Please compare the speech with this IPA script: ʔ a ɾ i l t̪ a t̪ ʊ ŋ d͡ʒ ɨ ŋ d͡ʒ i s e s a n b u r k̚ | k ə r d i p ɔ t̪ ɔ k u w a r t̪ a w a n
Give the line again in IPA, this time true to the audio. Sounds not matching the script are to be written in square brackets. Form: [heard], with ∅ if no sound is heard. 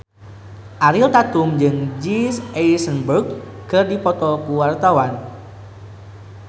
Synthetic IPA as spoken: ʔ a ɾ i l t̪ a t̪ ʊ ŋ d͡ʒ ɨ ŋ d͡ʒ i s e s [ə] n b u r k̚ | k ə r d i p ɔ t̪ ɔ k u w a r t̪ a w a n